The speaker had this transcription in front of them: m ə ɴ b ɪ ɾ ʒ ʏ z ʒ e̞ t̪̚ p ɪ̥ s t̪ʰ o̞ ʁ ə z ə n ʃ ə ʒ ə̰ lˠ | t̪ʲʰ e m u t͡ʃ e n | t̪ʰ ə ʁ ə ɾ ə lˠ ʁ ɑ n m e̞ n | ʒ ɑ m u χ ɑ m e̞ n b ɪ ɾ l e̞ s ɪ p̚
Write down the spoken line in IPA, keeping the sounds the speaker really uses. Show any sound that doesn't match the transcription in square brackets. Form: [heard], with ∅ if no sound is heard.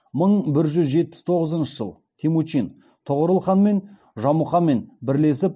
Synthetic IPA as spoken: m ə ɴ b ɪ ɾ ʒ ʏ z ʒ e̞ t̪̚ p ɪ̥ s t̪ʰ o̞ ʁ ə z ə n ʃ ə ʒ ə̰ lˠ | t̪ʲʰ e m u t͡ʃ [i] n | t̪ʰ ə ʁ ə ɾ ə lˠ [χ] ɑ n m e̞ n | ʒ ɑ m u χ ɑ m e̞ n b ɪ ɾ l e̞ s ɪ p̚